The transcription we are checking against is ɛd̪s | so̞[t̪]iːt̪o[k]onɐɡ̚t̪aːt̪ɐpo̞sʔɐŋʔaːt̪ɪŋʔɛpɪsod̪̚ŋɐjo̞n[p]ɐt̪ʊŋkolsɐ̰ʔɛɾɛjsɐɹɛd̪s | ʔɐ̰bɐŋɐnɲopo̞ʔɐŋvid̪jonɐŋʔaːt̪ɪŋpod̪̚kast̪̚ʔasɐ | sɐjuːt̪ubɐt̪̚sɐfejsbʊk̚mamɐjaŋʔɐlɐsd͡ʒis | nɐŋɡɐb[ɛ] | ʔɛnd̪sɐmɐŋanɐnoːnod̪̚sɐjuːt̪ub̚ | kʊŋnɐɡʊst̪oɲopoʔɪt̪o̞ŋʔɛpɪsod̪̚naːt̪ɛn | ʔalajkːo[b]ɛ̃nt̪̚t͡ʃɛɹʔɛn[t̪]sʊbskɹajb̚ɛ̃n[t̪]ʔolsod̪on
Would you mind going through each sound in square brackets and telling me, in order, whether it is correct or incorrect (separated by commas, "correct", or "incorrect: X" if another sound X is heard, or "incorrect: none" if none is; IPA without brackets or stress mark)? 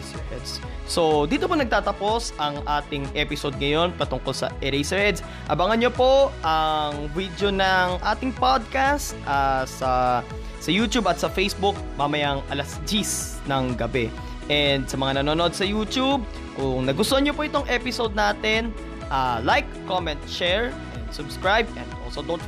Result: incorrect: d̪, incorrect: p, correct, correct, incorrect: m, incorrect: d̪, incorrect: d̪